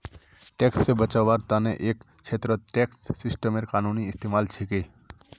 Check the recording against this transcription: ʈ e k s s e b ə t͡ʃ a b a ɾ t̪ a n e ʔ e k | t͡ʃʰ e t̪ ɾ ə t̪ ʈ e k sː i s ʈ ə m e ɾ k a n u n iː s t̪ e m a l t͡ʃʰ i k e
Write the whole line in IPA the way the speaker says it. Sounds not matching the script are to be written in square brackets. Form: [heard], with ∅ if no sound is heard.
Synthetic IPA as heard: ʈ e k s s e b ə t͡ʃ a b a ɾ t̪ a n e ʔ e k | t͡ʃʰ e t̪ ɾ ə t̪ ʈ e k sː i s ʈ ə m e ɾ k a n u n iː s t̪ e m a l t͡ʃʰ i k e